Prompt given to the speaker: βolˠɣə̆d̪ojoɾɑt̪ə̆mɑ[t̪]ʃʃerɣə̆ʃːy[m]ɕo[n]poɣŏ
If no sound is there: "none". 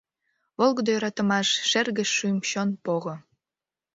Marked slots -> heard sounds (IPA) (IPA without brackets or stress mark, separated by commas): none, m, n